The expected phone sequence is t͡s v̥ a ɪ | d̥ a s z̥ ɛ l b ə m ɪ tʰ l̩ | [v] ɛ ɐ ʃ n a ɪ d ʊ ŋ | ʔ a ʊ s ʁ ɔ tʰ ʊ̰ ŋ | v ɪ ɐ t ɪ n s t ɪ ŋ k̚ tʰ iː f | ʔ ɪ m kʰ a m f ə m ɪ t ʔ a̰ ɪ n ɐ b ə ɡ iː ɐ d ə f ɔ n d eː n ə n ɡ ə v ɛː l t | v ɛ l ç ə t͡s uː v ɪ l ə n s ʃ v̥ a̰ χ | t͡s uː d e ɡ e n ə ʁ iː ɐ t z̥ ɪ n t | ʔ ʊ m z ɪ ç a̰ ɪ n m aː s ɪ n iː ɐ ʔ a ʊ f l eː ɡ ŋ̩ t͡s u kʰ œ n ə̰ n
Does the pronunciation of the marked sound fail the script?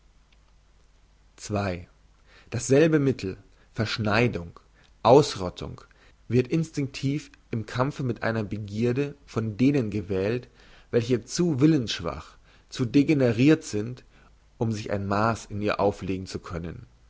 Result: yes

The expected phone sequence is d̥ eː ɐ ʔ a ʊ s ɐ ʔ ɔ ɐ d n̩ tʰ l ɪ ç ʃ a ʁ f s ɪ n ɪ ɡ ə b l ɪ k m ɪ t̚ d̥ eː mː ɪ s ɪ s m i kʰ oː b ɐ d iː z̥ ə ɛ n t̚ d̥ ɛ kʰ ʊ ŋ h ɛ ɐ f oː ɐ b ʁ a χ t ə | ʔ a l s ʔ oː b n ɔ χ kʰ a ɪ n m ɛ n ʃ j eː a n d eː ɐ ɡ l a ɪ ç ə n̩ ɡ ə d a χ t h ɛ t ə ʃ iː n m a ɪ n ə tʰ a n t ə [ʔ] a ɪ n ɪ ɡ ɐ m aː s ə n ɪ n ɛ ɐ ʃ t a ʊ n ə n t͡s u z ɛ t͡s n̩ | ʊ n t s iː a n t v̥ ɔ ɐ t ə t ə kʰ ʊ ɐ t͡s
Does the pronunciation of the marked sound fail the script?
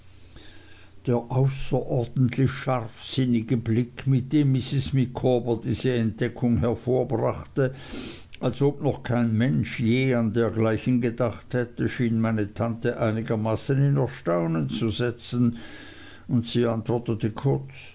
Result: no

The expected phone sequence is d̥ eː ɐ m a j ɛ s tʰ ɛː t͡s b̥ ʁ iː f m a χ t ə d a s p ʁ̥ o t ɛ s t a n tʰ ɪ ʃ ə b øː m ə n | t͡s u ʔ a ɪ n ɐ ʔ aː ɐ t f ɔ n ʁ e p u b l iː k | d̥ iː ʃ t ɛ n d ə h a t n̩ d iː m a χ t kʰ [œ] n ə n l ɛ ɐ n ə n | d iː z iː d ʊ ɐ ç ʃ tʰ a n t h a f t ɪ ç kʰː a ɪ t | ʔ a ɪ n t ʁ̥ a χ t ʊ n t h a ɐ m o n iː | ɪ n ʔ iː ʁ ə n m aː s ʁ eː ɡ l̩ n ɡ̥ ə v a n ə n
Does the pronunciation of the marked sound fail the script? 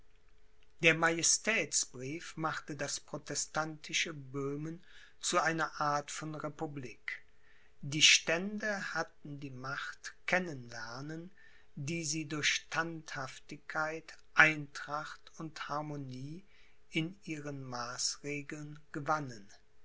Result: yes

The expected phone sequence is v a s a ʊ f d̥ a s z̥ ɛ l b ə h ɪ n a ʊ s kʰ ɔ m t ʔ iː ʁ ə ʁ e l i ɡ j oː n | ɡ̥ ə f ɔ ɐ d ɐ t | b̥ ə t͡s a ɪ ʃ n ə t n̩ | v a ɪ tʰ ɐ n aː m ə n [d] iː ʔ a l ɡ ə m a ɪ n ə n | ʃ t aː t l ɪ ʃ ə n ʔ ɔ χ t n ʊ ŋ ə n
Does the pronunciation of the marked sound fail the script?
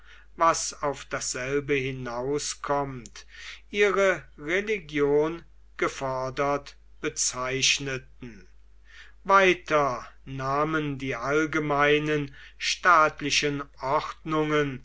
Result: no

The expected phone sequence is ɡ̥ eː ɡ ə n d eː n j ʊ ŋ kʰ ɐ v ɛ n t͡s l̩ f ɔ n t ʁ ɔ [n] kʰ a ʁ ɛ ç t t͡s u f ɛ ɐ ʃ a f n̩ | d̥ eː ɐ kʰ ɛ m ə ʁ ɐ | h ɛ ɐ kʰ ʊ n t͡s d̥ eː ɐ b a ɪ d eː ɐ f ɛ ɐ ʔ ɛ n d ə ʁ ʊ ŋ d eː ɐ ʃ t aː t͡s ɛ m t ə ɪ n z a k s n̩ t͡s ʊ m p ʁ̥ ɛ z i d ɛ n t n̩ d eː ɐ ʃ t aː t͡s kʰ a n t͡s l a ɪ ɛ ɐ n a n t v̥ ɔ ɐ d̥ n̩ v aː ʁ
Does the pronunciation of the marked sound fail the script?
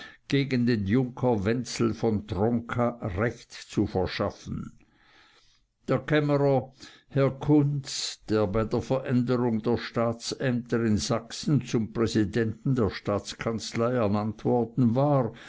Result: yes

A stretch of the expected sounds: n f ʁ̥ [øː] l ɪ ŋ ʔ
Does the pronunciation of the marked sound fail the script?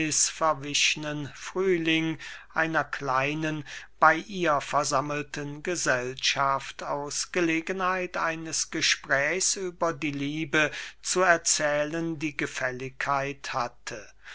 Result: yes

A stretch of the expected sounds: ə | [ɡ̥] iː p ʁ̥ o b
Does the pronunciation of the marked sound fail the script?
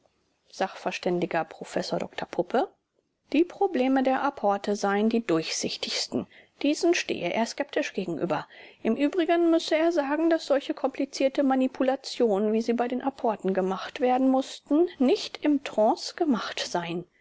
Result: yes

